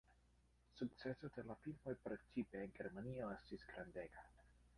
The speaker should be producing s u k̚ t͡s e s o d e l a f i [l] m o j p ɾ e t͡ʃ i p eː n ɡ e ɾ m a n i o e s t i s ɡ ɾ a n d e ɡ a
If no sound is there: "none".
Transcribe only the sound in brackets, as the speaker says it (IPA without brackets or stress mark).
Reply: l